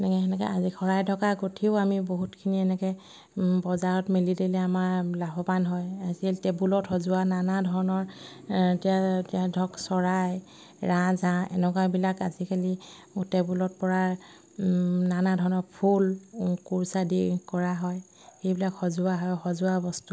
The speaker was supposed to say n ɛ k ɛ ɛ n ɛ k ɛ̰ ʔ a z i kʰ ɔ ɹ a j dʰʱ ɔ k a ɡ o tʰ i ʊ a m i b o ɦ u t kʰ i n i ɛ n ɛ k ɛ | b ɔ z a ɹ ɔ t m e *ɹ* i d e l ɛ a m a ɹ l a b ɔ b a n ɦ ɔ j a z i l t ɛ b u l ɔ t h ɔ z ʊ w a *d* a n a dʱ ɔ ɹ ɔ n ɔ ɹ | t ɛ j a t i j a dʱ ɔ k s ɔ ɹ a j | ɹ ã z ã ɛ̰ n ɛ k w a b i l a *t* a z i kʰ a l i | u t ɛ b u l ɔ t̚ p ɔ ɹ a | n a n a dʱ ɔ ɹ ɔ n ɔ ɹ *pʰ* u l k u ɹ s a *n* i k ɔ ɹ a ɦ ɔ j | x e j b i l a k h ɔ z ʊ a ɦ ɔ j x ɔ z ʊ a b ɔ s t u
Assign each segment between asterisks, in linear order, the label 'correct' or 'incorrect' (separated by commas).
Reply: incorrect, incorrect, incorrect, correct, incorrect